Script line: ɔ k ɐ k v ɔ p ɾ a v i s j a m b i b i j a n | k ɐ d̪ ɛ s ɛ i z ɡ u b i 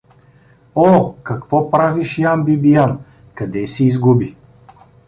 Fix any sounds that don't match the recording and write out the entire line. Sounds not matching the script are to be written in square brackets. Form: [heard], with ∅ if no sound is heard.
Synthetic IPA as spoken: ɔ k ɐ k v ɔ p ɾ a v i [ʃ] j a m b i b i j a n | k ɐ d̪ ɛ s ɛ i z ɡ u b i